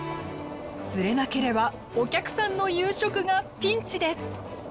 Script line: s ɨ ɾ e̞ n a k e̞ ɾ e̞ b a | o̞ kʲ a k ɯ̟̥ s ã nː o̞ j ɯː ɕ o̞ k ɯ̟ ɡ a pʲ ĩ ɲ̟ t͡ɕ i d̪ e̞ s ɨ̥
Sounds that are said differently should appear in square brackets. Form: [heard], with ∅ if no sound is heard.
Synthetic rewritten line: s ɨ ɾ e̞ n a k e̞ ɾ e̞ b a | o̞ kʲ a k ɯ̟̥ s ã nː o̞ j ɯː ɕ o̞ k ɯ̟ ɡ a pʲ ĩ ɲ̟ t͡ɕ i d̪ e̞ s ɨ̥